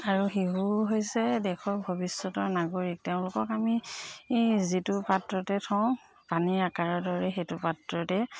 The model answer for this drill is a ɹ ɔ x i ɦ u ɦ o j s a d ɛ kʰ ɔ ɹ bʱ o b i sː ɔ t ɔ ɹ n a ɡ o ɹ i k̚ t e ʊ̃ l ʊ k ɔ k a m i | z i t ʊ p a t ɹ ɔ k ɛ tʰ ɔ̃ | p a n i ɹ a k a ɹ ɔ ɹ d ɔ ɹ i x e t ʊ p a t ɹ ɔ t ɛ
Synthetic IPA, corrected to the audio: a ɹ u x i ɦ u ɦ o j s ɛ d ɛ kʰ ɔ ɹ bʱ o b i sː ɔ t ɔ ɹ n a ɡ o ɹ i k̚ t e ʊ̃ l ʊ k ɔ k a m i | z i t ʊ p a t ɹ ɔ t ɛ tʰ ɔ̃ | p a n i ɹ a k a ɹ ɔ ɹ d ɔ ɹ ɛ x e t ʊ p a t ɹ ɔ t ɛ